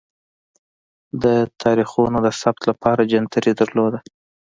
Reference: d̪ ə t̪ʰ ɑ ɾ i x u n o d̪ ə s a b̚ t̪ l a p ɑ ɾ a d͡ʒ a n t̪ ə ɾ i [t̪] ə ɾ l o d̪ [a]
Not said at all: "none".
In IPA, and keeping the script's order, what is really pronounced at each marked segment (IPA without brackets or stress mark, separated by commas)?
d̪, a